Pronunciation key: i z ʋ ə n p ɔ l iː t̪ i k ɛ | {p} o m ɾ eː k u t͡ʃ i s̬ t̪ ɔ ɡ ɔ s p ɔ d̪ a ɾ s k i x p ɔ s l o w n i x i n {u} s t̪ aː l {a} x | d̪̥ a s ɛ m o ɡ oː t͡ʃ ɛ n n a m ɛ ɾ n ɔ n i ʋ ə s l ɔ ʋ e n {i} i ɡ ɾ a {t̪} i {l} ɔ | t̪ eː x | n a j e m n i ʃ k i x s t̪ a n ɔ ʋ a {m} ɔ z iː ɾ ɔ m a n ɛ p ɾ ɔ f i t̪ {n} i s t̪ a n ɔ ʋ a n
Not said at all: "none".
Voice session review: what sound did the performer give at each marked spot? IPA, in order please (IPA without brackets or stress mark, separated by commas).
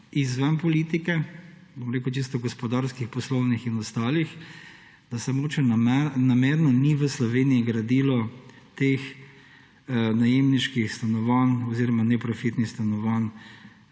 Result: b, ɔ, i, i, d̪, l, n, n